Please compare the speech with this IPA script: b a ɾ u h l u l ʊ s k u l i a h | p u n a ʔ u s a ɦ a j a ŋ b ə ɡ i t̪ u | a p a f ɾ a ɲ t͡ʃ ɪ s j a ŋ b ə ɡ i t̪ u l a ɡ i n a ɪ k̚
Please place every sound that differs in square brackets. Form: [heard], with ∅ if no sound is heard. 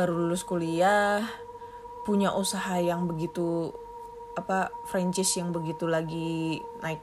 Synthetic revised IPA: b a ɾ u [∅] l u l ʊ s k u l i a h | p u [ɲ] a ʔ u s a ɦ a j a ŋ b ə ɡ i t̪ u | a p a f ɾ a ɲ t͡ʃ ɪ s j a ŋ b ə ɡ i t̪ u l a ɡ i n a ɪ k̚